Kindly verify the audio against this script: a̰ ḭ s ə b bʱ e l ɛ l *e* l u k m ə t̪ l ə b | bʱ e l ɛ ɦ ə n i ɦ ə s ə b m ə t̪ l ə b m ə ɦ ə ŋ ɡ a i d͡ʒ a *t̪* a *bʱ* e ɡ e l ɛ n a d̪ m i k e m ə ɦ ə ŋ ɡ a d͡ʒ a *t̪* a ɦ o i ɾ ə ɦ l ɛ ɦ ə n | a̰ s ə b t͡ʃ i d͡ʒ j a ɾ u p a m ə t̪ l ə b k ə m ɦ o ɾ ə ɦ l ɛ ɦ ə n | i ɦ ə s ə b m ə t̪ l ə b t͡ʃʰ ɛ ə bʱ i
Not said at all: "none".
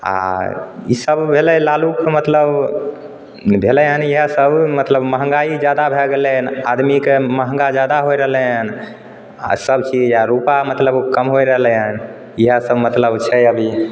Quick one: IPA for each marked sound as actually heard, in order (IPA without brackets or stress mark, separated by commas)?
a, d̪, bʱ, d̪